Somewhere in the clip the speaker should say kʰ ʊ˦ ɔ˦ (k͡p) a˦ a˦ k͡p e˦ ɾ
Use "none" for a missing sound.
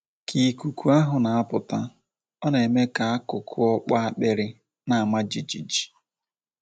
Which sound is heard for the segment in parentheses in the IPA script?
k͡p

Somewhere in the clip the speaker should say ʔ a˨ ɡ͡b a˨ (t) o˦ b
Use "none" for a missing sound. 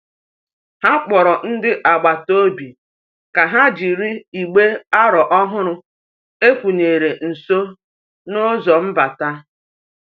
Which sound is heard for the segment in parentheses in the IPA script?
t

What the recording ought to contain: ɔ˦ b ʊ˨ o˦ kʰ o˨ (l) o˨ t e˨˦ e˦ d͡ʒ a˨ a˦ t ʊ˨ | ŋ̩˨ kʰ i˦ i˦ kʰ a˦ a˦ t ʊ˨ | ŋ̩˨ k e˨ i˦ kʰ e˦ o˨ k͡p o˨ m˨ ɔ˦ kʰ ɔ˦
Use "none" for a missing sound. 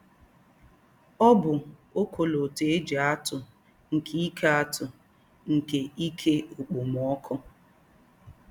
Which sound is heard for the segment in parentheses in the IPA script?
l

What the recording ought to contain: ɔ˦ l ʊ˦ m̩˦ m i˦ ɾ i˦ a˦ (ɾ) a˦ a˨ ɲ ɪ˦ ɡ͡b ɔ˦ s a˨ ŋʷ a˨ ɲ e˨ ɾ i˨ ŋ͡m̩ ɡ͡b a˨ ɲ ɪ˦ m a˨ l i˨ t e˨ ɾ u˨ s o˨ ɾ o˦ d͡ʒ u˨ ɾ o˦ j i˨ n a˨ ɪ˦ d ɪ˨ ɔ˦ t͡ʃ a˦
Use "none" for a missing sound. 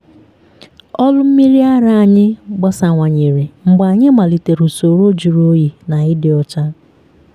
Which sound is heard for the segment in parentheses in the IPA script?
ɾ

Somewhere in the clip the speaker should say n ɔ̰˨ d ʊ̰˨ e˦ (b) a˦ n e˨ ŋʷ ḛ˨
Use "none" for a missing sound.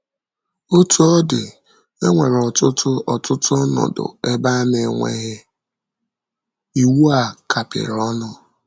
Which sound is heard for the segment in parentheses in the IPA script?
b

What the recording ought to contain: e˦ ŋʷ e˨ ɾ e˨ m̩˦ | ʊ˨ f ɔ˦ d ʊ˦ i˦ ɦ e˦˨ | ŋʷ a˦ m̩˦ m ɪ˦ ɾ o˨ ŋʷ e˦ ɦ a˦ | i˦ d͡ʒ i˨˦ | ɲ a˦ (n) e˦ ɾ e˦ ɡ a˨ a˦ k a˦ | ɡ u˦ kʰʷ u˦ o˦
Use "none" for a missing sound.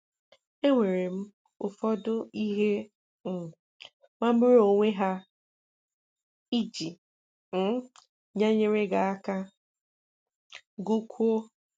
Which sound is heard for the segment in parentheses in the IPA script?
ɲ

